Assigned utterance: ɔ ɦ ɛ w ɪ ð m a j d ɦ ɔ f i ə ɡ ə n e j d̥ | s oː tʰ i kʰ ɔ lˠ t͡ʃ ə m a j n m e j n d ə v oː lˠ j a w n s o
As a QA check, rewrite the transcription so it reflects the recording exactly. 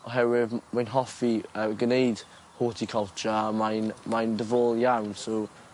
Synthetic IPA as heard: ɔ ɦ ɛ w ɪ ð m a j n ɦ ɔ f i ə ɡ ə n e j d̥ | h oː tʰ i kʰ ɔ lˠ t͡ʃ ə m a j n m a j n d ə v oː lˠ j a w n s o